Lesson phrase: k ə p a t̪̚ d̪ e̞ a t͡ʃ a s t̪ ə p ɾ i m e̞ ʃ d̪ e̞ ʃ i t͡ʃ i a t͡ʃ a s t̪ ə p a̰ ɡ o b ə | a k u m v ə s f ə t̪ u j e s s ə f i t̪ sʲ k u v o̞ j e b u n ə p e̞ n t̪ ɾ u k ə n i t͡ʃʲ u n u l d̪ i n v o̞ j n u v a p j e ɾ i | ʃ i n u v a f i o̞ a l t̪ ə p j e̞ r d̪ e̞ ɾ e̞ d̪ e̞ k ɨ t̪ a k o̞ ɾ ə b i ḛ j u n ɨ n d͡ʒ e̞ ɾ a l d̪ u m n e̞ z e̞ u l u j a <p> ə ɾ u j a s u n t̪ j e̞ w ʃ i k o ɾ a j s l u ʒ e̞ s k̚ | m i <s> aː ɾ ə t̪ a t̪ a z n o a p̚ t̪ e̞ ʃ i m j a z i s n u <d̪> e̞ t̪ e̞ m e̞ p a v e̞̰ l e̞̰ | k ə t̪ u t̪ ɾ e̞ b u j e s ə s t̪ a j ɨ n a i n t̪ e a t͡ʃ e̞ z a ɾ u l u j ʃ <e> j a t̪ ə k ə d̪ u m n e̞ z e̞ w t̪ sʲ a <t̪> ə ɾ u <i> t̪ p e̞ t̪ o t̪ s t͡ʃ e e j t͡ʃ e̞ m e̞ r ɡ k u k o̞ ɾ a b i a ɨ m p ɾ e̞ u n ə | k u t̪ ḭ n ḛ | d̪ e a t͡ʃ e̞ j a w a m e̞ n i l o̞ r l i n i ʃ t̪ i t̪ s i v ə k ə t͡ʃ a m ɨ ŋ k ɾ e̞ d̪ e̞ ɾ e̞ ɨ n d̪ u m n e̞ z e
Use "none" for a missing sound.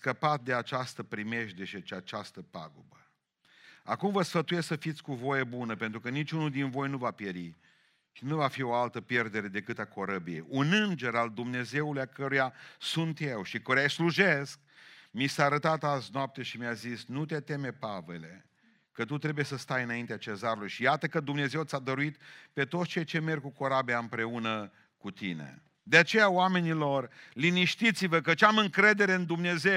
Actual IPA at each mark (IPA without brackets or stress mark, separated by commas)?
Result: k, s, t̪, i, d̪, i